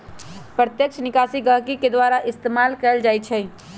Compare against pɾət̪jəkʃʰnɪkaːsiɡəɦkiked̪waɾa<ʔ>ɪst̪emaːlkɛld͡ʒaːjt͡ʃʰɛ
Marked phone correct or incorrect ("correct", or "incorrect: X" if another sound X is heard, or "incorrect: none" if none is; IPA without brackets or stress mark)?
correct